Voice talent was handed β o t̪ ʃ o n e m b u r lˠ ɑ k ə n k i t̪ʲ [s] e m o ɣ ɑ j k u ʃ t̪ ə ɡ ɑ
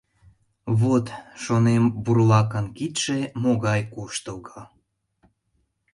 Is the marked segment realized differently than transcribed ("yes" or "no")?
yes